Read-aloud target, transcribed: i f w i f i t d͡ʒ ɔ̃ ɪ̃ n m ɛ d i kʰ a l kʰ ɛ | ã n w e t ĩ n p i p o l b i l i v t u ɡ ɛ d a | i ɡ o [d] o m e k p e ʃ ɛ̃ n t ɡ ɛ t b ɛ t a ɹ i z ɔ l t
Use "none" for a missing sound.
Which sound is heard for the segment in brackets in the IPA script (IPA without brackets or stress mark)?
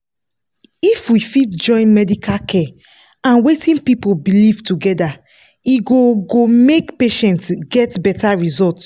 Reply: ɡ